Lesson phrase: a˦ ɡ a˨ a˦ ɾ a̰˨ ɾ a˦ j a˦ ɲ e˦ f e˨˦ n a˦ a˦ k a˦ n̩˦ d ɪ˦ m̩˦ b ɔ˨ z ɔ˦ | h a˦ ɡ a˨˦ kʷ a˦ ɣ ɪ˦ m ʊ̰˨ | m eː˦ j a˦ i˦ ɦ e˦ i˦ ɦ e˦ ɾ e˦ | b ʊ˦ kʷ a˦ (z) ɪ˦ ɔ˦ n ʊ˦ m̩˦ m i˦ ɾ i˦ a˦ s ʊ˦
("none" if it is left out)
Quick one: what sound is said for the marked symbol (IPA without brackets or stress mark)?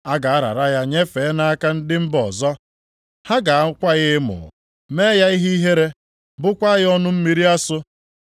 ɣ